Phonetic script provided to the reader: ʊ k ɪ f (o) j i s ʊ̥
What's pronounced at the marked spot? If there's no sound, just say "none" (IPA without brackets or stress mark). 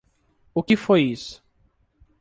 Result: o